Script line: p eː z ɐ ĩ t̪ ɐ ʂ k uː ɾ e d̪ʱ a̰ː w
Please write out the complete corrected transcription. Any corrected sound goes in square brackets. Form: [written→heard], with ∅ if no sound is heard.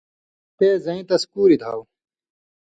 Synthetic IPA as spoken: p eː z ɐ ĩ t̪ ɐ [ʂ→s] k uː ɾ [e→i] d̪ʱ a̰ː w